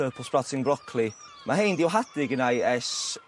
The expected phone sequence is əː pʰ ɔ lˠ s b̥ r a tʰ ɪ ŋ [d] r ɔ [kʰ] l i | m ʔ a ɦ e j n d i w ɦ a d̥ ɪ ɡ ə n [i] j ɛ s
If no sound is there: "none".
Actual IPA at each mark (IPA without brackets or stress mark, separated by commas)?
b, kʰ, a